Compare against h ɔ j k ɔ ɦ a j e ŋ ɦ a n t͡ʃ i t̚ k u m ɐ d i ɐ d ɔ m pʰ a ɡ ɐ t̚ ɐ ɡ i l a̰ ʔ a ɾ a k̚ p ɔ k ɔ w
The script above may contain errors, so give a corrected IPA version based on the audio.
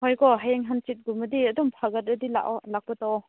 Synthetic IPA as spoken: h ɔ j k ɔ ɦ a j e ŋ ɦ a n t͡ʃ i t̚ ɡ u m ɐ d i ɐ d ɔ m pʰ a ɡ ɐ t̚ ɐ d i l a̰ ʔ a l a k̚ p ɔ t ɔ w